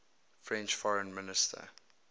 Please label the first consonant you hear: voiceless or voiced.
voiceless